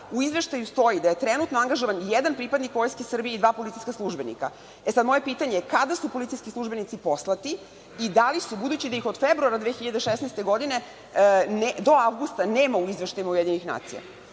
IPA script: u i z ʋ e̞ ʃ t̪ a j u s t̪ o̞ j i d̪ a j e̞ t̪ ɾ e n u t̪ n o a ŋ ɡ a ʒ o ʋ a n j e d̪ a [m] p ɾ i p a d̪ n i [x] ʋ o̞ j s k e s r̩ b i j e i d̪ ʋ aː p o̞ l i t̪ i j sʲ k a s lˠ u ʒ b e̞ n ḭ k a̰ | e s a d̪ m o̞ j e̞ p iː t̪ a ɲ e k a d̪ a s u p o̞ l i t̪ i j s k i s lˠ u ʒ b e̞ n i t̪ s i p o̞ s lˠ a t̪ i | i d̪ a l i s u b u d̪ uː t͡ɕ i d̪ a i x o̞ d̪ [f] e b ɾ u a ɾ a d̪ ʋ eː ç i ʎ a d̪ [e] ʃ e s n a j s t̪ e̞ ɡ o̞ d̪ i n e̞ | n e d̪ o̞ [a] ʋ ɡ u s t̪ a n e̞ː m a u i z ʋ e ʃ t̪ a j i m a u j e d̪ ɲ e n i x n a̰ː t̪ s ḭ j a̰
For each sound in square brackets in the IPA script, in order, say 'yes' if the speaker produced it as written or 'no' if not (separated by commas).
no, no, yes, yes, yes